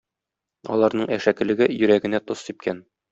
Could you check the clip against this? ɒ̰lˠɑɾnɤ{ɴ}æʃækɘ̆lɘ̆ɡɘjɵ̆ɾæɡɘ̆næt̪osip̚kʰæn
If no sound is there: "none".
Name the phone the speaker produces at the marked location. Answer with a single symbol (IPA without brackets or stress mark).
ɴ